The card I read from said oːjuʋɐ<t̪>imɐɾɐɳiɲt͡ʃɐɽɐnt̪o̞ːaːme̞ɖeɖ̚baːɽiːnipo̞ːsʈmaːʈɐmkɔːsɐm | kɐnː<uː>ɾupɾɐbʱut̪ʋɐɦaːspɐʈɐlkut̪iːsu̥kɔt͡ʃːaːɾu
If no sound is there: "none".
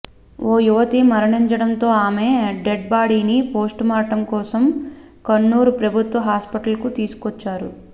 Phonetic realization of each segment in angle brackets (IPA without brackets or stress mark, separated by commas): t̪, uː